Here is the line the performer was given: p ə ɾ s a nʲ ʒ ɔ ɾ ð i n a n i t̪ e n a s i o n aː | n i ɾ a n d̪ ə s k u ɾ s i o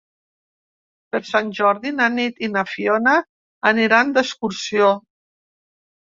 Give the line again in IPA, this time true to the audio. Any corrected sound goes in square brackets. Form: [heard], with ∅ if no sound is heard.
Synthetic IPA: p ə ɾ s a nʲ ʒ ɔ ɾ ð i n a n i t̪ [i] n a [f] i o n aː | n i ɾ a n d̪ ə s k u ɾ s i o